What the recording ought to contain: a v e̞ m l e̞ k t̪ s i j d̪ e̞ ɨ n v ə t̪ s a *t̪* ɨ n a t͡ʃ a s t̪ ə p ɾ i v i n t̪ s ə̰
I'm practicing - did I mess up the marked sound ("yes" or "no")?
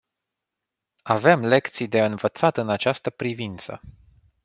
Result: no